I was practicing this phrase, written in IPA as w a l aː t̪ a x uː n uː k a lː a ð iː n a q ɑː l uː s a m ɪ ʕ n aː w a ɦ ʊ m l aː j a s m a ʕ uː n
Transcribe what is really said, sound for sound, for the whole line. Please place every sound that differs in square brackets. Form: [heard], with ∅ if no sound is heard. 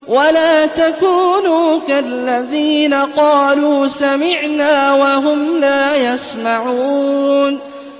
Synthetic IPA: w a l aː t̪ a [k] uː n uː k a lː a ð iː n a q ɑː l uː s a m ɪ ʕ n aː w a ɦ ʊ m l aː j a s m a ʕ uː n